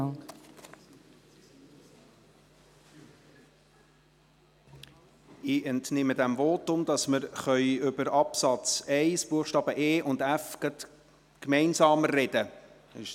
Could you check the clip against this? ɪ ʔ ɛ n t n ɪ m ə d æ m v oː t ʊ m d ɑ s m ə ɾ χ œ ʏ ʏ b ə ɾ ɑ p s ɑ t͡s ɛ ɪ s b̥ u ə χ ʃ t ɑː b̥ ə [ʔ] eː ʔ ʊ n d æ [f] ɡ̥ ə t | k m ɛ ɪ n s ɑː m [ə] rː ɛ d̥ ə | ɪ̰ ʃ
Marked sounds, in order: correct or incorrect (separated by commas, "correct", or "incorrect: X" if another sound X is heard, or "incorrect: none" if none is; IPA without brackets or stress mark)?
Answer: correct, correct, correct